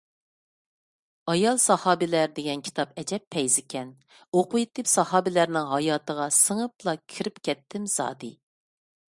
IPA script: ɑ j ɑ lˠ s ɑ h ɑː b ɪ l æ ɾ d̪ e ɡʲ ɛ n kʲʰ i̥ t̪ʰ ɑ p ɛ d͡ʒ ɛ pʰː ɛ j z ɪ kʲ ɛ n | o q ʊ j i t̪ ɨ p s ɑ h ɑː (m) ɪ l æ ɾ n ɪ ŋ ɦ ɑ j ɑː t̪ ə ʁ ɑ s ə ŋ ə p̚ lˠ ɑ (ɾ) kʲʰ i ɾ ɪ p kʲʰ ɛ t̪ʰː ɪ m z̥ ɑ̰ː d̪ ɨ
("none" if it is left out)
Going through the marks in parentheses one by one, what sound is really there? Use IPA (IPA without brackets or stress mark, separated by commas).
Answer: b, none